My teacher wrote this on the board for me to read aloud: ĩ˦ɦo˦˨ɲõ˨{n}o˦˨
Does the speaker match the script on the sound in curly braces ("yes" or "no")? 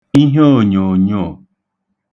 no